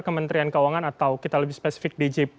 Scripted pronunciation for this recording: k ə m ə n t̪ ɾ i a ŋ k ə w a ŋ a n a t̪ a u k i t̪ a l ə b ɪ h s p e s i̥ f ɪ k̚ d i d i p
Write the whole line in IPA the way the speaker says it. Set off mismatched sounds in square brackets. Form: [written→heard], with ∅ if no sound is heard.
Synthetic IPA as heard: k ə m ə n t̪ ɾ i a [ŋ→n] k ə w a ŋ a n a t̪ a [u→w] k i t̪ a l ə b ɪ h s p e s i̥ f ɪ k̚ d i [d→d͡ʒ] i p

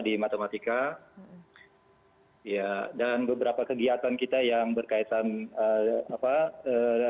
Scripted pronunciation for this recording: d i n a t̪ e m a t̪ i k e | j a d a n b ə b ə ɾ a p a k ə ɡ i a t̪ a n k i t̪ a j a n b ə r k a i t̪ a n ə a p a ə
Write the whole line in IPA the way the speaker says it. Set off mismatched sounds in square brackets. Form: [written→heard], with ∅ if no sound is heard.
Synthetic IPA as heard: d i [n→m] a t̪ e m a t̪ i k [e→a] | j a d a n b ə b ə ɾ a p a k ə ɡ i a t̪ a n k i t̪ a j a [n→ŋ] b ə r k a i t̪ a n ə a p a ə

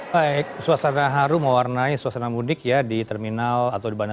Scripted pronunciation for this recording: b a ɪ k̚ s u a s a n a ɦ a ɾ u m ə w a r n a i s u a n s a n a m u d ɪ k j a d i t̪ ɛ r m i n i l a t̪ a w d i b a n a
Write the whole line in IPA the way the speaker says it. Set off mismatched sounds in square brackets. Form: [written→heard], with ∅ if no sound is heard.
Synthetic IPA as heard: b a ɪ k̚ s u a s a n a ɦ a ɾ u m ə w a r n a i s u a [n→∅] s a n a m u d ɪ k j a d i t̪ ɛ r m i n [i→a] l a t̪ a w d i b a n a

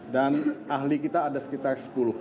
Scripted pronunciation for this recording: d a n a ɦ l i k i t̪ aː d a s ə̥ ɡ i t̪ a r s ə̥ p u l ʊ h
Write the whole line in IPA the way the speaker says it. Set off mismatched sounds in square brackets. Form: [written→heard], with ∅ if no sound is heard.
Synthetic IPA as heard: d a n a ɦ l i k i t̪ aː d a s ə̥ [ɡ→k] i t̪ a r s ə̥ p u l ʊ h

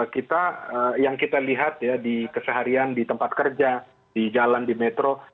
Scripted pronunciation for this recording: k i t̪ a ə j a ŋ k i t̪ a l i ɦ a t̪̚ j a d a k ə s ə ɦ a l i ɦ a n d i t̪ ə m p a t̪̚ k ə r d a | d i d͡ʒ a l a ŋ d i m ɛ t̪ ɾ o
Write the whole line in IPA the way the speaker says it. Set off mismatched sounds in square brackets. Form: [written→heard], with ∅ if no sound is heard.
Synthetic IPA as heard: k i t̪ a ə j a ŋ k i t̪ a l i ɦ a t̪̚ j a d [a→i] k ə s ə ɦ a [l→ɾ] i [ɦ→∅] a n d i t̪ ə m p a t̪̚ k ə r [d→d͡ʒ] a | d i d͡ʒ a l a [ŋ→n] d i m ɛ t̪ ɾ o

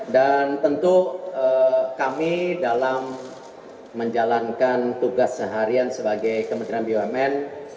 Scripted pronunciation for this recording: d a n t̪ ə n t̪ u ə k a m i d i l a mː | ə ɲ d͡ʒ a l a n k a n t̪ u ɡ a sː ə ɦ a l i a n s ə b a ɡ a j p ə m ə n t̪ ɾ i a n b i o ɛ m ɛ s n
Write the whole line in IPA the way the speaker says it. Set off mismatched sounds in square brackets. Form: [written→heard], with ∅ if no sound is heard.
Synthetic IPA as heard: d a n t̪ ə n t̪ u ə k a m i d [i→a] l a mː | ə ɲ d͡ʒ a l a n k a n t̪ u ɡ a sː ə ɦ a [l→ɾ] i a n s ə b a ɡ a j [p→k] ə m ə n t̪ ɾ i a n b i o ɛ m ɛ [s→∅] n

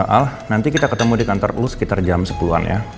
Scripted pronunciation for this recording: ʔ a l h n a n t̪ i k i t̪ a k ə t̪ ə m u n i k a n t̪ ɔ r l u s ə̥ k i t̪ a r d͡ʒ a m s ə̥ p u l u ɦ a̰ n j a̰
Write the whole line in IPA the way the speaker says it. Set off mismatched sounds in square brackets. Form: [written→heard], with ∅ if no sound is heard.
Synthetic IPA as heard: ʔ a l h n a n t̪ i k i t̪ a k ə t̪ ə m u [n→d] i k a n t̪ ɔ r l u s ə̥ k i t̪ a r d͡ʒ a m s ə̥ p u l u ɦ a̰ n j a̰

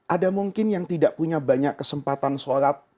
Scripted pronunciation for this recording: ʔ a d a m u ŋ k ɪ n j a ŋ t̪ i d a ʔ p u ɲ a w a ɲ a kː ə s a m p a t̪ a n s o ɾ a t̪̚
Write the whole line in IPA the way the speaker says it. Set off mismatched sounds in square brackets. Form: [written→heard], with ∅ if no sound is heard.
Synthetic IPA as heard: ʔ a d a m u ŋ k ɪ n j a ŋ t̪ i d a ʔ p u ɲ a [w→b] a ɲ a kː ə s [a→ə] m p a t̪ a n s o ɾ a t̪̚

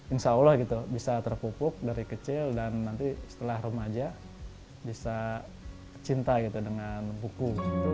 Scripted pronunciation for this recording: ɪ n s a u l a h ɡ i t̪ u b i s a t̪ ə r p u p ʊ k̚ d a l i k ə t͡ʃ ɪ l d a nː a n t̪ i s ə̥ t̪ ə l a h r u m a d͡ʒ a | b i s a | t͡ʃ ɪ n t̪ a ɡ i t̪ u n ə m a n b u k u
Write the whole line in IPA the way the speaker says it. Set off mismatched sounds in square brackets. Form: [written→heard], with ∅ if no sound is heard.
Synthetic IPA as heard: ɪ n s a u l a h ɡ i t̪ u b i s a t̪ ə r p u p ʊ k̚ d a [l→ɾ] i k ə t͡ʃ ɪ l d a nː a n t̪ i s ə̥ t̪ ə l a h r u m a d͡ʒ a | b i s a | t͡ʃ [ɪ→i] n t̪ a ɡ i t̪ u [n→d] ə [m→ŋ] a n b u k u

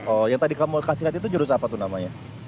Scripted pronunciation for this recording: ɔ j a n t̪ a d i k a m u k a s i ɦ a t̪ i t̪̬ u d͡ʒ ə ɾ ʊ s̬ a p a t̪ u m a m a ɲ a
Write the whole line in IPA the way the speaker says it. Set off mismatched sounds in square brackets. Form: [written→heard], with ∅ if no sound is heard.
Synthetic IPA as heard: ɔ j a [n→ŋ] t̪ a d i k a m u k a s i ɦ a t̪ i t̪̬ u d͡ʒ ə ɾ ʊ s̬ a p a t̪ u [m→n] a m a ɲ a

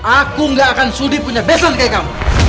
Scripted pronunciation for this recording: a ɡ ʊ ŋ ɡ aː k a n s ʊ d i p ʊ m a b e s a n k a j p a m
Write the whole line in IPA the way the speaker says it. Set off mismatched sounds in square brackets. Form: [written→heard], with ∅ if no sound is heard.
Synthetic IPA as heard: a [ɡ→k] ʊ ŋ ɡ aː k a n s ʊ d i p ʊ [m→ɲ] a b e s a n k a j [p→k] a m

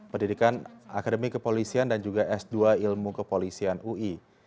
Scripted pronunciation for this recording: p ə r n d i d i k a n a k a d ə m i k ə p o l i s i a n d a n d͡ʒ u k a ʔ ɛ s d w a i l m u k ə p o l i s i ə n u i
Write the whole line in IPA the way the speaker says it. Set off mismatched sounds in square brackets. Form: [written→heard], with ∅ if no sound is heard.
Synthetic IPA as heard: p ə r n d i d i k a n a k a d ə m i k ə p o l i s i a n d a n d͡ʒ u [k→ɡ] a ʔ ɛ s d [w→u] a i l m u k ə p o l i s i [ə→a] n u i

